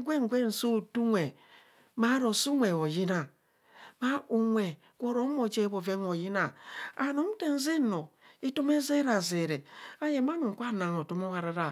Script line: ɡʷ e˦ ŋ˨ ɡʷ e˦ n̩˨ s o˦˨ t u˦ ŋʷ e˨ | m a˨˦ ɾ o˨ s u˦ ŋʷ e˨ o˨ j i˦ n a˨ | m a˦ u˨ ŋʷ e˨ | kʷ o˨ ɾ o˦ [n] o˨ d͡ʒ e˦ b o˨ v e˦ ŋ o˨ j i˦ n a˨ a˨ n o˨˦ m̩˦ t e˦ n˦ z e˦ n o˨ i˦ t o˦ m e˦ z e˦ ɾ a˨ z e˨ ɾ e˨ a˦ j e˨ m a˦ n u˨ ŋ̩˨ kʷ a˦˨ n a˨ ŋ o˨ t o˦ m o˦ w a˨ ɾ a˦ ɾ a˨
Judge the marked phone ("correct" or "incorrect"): incorrect